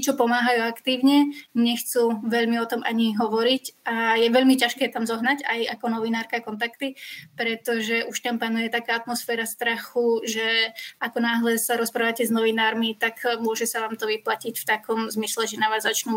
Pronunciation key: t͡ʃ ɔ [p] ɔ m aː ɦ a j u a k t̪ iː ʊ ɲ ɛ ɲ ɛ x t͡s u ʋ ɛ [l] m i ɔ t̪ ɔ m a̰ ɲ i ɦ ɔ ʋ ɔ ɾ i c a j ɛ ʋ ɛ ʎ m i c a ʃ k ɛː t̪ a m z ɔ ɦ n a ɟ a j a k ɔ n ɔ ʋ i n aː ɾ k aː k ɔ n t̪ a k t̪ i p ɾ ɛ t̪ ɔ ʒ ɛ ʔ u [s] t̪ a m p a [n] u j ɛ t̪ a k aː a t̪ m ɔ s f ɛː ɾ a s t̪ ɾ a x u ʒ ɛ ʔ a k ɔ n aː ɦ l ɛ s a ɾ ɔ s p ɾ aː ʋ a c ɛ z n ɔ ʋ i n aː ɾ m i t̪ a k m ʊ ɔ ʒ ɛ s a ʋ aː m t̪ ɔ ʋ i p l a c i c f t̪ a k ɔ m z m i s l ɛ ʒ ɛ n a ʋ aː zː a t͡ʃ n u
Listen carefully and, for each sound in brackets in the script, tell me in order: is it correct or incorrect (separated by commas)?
correct, incorrect, incorrect, correct